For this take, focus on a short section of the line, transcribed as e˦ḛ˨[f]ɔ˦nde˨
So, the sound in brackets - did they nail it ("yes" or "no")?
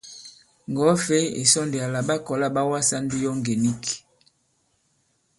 no